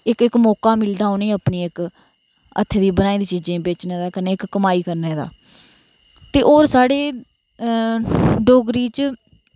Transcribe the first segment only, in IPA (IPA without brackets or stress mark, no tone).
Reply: ɪ